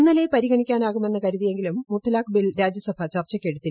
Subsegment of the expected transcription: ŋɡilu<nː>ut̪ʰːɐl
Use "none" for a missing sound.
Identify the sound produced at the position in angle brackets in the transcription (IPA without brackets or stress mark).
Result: mː